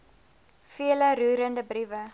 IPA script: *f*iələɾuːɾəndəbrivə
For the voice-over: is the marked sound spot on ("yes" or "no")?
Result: yes